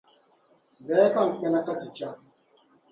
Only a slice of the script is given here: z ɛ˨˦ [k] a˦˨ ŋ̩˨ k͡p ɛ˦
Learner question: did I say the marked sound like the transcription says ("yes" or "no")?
yes